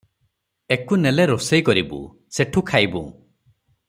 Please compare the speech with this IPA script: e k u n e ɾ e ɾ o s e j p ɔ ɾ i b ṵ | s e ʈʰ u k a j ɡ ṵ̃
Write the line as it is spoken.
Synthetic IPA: e k u n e l e ɾ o s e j k ɔ ɾ i b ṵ | s e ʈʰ u kʰ a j b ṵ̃